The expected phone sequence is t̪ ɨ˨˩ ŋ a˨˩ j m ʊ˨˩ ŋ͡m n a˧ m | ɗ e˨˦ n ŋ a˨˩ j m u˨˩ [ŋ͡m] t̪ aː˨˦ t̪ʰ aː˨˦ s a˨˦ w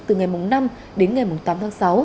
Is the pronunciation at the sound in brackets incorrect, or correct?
correct